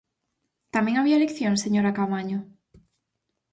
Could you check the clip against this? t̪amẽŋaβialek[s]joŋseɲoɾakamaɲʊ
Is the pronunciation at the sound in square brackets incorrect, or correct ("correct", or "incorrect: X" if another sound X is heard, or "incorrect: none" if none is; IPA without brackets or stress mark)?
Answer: incorrect: θ